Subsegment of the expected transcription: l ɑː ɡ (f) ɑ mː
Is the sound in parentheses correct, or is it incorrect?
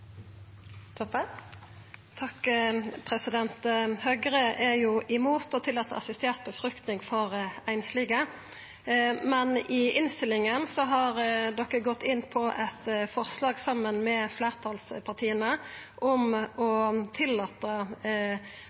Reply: incorrect